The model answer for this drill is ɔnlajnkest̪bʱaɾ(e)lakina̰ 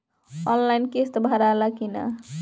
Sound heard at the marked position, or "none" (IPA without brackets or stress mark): a